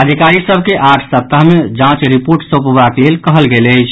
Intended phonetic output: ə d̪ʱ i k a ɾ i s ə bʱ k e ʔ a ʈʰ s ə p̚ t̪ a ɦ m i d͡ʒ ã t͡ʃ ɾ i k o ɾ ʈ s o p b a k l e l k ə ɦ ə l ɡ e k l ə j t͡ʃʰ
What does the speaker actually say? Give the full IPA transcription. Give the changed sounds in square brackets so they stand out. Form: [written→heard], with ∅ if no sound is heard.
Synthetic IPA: ə d̪ʱ i k a ɾ i s ə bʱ k e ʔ a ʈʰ s ə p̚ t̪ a ɦ m [i→e] d͡ʒ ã t͡ʃ ɾ i [k→p] o ɾ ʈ s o p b a k l e l k ə ɦ ə l ɡ e [k→∅] l ə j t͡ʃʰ